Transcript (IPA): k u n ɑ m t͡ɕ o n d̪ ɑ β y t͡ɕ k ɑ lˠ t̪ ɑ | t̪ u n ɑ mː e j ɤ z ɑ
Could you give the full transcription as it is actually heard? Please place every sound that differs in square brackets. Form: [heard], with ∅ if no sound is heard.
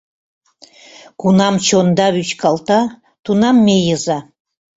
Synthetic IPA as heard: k u n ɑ m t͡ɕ o n d̪ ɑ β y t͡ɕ k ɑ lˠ t̪ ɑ | t̪ u n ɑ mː e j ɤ z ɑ